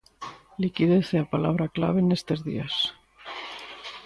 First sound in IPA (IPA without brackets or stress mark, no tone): l